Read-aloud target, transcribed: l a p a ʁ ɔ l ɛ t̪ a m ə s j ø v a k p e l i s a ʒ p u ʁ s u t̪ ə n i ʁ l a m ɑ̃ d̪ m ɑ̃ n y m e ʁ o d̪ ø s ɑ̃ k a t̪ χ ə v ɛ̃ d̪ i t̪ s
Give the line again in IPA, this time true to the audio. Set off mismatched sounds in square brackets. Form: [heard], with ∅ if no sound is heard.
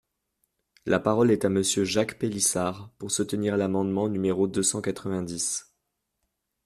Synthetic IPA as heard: l a p a ʁ ɔ l ɛ t̪ a m ə s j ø [ʒ] a k p e l i s a [ʁ] p u ʁ s u t̪ ə n i ʁ l a m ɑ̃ d̪ m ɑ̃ n y m e ʁ o d̪ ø s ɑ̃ k a t̪ χ ə v ɛ̃ d̪ i [∅] s

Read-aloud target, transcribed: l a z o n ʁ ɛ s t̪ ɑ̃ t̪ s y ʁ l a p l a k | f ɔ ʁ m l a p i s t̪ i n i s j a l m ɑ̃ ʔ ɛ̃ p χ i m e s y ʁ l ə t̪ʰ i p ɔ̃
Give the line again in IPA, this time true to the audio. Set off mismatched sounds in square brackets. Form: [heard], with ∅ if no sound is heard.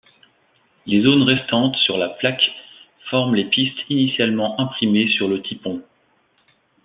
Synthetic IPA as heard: l [e] z o n ʁ ɛ s t̪ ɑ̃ t̪ s y ʁ l a p l a k | f ɔ ʁ m l [e] p i s t̪ i n i s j a l m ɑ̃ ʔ ɛ̃ p χ i m e s y ʁ l ə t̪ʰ i p ɔ̃

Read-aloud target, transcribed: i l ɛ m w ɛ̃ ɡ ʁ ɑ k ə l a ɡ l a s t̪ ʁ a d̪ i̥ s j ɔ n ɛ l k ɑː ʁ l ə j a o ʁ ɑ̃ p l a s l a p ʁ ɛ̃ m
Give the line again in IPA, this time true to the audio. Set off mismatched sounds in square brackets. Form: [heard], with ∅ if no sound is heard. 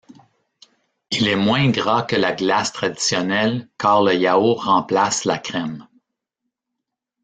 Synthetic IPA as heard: i l ɛ m w ɛ̃ ɡ ʁ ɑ k ə l a ɡ l a s t̪ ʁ a d̪ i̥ s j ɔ n ɛ l k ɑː ʁ l ə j a o ʁ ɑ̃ p l a s l a [k] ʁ [ɛ] m

